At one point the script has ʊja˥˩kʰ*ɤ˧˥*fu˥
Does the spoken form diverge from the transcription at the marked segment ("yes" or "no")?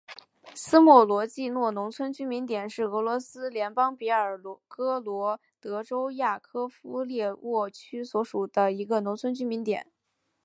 yes